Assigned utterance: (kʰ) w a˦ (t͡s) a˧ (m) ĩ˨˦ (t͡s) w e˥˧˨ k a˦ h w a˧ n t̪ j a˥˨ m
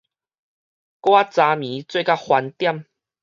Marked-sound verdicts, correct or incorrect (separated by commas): incorrect, correct, correct, correct